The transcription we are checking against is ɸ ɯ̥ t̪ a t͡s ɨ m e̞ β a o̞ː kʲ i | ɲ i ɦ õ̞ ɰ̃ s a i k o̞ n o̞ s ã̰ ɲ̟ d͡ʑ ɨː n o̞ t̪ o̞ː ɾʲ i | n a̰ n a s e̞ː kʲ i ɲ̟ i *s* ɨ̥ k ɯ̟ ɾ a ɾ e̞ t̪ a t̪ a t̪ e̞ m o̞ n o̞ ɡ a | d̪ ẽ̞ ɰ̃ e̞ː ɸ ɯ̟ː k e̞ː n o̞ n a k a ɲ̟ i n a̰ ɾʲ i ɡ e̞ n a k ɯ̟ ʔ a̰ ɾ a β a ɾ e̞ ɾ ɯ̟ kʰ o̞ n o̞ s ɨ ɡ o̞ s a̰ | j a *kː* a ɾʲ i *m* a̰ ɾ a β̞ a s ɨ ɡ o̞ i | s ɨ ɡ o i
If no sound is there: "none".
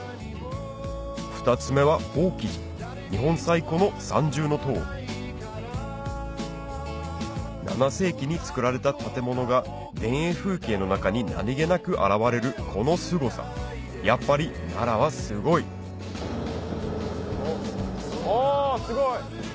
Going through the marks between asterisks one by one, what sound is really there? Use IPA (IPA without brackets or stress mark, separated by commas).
t͡s, pː, n